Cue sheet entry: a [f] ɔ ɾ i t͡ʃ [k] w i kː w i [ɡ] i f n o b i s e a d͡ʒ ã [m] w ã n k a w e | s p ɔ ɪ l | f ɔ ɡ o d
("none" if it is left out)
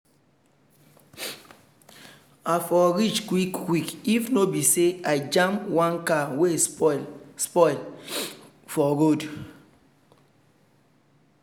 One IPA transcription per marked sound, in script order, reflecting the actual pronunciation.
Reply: f, k, k, m

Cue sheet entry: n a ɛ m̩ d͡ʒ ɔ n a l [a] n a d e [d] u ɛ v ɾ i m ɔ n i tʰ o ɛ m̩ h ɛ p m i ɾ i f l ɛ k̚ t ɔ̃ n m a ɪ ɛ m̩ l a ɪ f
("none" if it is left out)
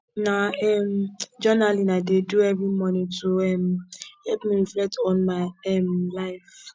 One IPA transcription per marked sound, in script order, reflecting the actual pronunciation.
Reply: i, d

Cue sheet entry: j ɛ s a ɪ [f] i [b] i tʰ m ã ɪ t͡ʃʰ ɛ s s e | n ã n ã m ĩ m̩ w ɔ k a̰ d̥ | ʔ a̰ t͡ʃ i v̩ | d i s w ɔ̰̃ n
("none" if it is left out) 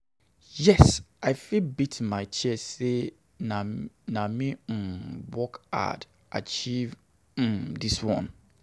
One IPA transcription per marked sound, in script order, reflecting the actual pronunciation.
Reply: f, b

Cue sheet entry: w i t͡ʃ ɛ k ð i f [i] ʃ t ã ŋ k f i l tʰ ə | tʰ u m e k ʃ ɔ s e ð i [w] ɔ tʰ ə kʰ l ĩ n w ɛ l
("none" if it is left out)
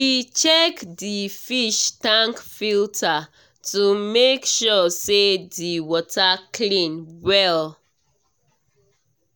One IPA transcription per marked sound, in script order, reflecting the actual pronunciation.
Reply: i, w

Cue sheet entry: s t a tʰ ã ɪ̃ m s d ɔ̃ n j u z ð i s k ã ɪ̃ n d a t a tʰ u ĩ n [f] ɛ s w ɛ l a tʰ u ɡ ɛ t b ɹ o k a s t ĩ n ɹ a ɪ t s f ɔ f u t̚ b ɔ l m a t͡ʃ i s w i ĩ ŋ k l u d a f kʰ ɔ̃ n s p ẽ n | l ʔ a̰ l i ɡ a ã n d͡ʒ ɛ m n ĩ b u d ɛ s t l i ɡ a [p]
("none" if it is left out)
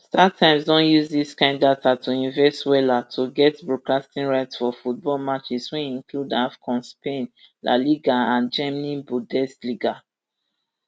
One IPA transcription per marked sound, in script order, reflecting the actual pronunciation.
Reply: v, none

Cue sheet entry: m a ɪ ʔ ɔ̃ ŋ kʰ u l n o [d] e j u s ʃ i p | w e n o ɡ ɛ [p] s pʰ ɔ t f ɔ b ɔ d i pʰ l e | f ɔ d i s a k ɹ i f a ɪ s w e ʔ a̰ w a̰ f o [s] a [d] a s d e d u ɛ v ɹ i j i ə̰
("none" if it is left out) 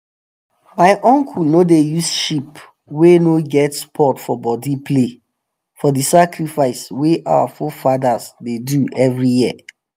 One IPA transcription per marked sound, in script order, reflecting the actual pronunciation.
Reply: d, t, f, d

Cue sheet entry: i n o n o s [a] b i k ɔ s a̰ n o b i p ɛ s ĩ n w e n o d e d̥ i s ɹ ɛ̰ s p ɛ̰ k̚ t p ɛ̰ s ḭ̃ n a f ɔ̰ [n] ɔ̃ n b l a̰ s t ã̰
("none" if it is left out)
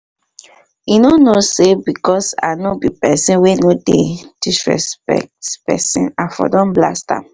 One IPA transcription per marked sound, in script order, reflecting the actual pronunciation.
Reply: e, d

